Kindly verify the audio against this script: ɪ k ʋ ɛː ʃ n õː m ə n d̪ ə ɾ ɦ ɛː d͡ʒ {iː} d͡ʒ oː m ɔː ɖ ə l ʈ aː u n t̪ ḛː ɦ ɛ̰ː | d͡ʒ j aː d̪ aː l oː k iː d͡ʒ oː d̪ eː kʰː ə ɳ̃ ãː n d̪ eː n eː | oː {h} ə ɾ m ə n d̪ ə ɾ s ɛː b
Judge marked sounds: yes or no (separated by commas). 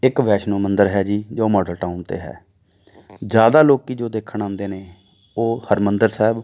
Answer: yes, yes